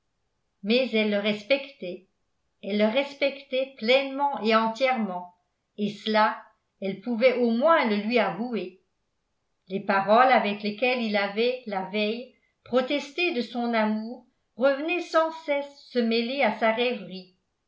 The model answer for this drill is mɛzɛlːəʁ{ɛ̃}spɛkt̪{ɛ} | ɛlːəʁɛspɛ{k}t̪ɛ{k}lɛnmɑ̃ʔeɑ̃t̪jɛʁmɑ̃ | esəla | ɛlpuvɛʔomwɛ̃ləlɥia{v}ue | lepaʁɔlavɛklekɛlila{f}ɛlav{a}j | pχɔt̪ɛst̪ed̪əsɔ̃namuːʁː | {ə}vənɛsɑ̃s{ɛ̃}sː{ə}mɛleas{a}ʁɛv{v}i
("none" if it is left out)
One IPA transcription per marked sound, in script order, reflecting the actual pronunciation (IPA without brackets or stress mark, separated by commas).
ɛ, ɛ, k, p, v, v, ɛ, ə, ɛ, ə, a, ʁ